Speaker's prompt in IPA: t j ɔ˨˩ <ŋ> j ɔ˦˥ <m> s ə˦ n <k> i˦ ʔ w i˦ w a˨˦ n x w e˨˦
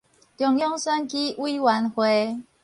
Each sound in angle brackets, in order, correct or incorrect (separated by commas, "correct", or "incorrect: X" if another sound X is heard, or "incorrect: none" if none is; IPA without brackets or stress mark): correct, incorrect: ŋ, correct